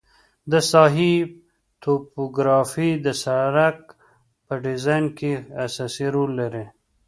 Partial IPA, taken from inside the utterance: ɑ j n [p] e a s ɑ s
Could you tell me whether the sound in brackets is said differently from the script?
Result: yes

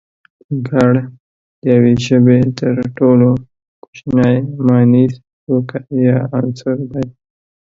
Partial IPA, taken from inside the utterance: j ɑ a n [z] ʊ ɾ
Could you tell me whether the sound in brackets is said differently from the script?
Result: yes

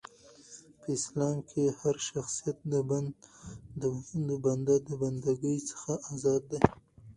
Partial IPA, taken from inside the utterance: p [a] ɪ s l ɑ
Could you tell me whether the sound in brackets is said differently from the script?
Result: yes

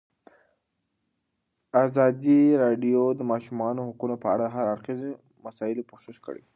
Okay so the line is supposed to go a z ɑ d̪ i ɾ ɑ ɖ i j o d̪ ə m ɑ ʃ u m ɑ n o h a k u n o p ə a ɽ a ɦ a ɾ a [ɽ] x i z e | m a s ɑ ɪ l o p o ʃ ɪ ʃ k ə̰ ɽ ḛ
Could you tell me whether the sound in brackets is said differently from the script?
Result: yes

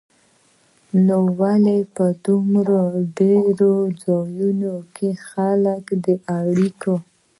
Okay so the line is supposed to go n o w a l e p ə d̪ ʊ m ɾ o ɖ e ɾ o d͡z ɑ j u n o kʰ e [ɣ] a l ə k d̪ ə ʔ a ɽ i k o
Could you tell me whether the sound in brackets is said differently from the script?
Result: yes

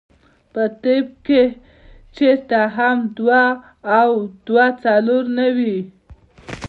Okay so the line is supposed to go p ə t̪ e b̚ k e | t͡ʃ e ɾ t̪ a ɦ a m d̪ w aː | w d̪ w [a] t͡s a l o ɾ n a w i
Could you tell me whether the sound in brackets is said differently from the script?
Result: no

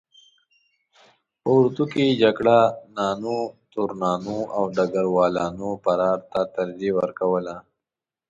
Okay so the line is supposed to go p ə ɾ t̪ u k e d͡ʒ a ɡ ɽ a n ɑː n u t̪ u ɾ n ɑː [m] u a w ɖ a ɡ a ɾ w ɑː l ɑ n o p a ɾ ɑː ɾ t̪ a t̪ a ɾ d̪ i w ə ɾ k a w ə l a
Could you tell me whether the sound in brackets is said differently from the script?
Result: yes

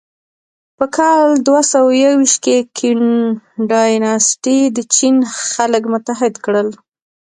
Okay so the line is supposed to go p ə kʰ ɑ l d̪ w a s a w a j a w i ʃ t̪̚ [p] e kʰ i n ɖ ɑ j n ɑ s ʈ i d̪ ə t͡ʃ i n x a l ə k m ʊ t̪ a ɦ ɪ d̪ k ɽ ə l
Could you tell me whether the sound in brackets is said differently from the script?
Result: yes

